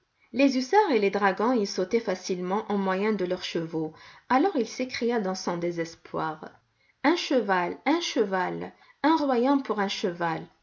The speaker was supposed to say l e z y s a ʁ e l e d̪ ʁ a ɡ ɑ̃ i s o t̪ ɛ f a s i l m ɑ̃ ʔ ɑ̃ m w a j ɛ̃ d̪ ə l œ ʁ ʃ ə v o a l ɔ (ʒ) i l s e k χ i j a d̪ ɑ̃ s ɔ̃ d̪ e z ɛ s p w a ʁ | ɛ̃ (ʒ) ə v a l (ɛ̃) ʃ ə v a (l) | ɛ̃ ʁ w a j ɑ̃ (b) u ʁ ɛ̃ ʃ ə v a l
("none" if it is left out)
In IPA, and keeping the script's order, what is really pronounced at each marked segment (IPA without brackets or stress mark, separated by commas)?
ʁ, ʃ, ɛ̃, l, p